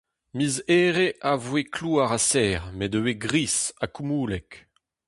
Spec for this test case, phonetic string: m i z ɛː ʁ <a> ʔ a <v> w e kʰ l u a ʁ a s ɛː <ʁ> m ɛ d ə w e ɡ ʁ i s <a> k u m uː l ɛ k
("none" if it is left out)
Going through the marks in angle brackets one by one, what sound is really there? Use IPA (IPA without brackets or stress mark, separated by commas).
e, v, ʁ, a